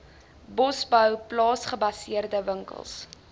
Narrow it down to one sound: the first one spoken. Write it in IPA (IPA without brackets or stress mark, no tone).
b